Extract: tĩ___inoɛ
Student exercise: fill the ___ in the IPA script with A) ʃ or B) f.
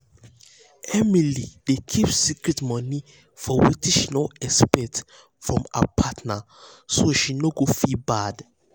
A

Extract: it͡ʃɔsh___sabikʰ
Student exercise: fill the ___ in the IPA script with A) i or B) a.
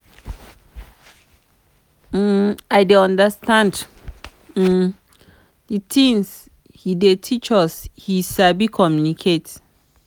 A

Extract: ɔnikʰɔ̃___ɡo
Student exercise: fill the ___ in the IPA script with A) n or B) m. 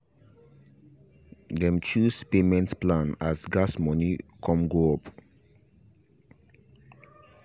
B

